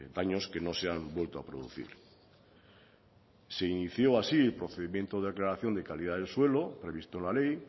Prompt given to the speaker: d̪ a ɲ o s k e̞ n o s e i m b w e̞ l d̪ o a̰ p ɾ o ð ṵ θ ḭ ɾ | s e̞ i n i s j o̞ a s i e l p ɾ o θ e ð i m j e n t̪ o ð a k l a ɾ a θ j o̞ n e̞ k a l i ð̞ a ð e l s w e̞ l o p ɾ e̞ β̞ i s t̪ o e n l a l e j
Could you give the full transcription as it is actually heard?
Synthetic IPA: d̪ a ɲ o s k e̞ n o s e a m b w e̞ l t̪ o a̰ p ɾ o ð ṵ θ ḭ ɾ | s e̞ i n i θ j o̞ a s i e l p ɾ o θ e ð i m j e n t̪ o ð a k l a ɾ a θ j o̞ n e̞ k a l i ð̞ a ð e l s w e̞ l o p ɾ e̞ β̞ i s t̪ o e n l a l e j

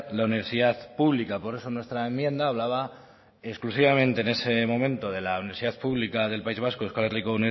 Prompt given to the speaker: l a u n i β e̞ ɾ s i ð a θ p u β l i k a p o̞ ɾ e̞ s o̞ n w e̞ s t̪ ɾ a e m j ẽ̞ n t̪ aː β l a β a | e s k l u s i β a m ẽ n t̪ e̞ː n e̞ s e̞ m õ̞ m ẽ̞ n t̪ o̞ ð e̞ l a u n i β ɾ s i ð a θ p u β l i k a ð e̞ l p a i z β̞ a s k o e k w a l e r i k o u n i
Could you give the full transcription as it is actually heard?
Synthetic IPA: l a u n i β e̞ ɾ s i ð a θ p u β l i k a p o̞ ɾ e̞ s o̞ n w e̞ s t̪ ɾ a e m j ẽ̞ n d̪ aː β l a β a | e s k l u s i β a m ẽ n t̪ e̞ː n e̞ s e̞ m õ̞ m ẽ̞ n t̪ o̞ ð e̞ l a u n i β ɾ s i ð a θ p u β l i k a ð e̞ l p a i z β̞ a s k o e k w a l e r i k o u n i

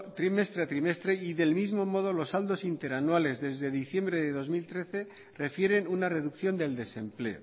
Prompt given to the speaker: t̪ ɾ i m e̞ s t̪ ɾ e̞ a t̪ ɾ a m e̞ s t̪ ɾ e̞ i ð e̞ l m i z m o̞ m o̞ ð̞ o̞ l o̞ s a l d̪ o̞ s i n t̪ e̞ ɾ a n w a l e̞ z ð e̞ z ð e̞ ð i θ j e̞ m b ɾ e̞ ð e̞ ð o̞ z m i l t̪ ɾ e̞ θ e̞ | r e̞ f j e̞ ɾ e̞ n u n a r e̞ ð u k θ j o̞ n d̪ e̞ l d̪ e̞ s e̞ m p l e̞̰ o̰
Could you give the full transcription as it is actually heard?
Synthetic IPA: t̪ ɾ i m e̞ s t̪ ɾ e̞ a t̪ ɾ i m e̞ s t̪ ɾ e̞ i ð e̞ l m i z m o̞ m o̞ ð̞ o̞ l o̞ s a l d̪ o̞ s i n t̪ e̞ ɾ a n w a l e̞ z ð e̞ z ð e̞ ð i θ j e̞ m b ɾ e̞ ð e̞ ð o̞ z m i l t̪ ɾ e̞ θ e̞ | r e̞ f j e̞ ɾ e̞ n u n a r e̞ ð u k θ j o̞ n d̪ e̞ l d̪ e̞ s e̞ m p l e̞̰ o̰

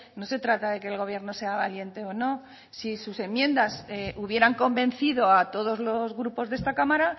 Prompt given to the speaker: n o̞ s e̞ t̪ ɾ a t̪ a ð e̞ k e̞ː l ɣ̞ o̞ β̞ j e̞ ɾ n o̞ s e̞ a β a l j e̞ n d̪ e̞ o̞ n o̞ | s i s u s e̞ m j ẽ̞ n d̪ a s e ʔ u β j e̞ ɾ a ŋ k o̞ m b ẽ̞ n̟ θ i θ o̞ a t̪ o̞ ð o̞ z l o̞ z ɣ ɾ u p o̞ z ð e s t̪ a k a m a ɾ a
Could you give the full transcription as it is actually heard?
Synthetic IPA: n o̞ s e̞ t̪ ɾ a t̪ a ð e̞ k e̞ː l ɣ̞ o̞ β̞ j e̞ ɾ n o̞ s e̞ a β a l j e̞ n t̪ e̞ o̞ n o̞ | s i s u s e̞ m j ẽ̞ n d̪ a s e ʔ u β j e̞ ɾ a ŋ k o̞ m b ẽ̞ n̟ θ i ð o̞ a t̪ o̞ ð o̞ z l o̞ z ɣ ɾ u p o̞ z ð e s t̪ a k a m a ɾ a

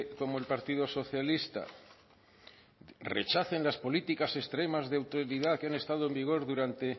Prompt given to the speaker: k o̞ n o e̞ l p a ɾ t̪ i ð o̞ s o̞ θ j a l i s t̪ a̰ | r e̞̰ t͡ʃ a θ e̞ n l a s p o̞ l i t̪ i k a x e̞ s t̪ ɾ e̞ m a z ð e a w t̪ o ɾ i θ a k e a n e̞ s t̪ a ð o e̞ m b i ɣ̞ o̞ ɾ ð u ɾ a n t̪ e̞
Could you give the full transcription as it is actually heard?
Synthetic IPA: k o̞ m o e̞ l p a ɾ t̪ i ð o̞ s o̞ θ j a l i s t̪ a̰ | r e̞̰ t͡ʃ a θ e̞ n l a s p o̞ l i t̪ i k a s e̞ s t̪ ɾ e̞ m a z ð e a w t̪ o ɾ i ð a k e a n e̞ s t̪ a ð o e̞ m b i ɣ̞ o̞ ɾ ð u ɾ a n t̪ e̞

